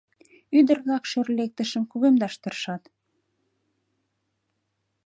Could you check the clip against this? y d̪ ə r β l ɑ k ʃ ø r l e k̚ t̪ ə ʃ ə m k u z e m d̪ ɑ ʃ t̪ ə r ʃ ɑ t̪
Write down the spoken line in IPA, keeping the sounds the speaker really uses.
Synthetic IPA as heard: y d̪ ə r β l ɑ k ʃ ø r l e k̚ t̪ ə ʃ ə m k u ɣ e m d̪ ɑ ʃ t̪ ə r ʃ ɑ t̪